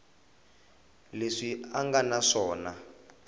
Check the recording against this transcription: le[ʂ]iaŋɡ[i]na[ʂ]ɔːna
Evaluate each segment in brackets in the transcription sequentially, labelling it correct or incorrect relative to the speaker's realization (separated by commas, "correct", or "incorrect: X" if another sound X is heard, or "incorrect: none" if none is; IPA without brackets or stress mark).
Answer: correct, incorrect: a, correct